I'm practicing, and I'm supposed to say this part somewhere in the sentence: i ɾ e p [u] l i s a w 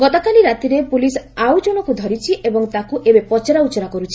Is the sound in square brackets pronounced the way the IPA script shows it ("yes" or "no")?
yes